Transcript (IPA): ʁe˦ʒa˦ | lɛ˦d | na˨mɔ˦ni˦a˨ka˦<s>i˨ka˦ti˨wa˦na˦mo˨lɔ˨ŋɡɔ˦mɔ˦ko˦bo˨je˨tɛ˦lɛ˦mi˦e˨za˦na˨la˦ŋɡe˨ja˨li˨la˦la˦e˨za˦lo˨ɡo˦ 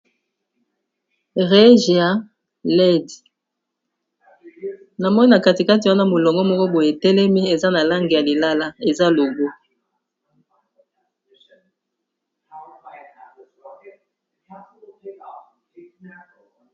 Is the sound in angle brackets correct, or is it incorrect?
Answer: incorrect